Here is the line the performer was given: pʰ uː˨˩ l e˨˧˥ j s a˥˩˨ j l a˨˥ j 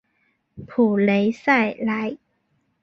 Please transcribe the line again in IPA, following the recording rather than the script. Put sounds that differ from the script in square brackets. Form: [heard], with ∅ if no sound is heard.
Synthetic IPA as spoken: pʰ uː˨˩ l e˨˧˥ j s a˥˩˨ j l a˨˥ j